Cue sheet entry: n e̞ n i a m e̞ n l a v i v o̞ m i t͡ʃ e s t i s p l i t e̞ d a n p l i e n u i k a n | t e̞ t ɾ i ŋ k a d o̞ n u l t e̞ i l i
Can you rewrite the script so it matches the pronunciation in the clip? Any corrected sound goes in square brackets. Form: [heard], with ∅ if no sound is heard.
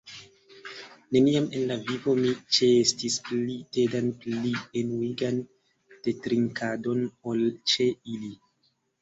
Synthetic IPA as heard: n e̞ n i a m e̞ n l a v i v o̞ m i t͡ʃ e s t i s p l i t e̞ d a n p l i e n u i [ɡ] a n | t e̞ t ɾ i ŋ k a d o̞ n [o] l [t͡ʃ] e̞ i l i